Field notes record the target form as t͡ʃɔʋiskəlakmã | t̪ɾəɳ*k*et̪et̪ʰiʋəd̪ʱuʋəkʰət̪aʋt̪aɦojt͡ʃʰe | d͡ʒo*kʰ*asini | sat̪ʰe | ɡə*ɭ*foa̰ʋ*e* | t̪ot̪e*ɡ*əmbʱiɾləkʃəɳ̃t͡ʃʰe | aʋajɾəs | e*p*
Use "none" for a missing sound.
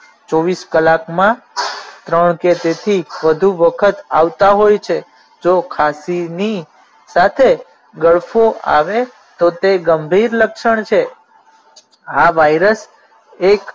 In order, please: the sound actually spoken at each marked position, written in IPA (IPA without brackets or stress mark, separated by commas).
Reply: k, kʰ, ɭ, e, ɡ, k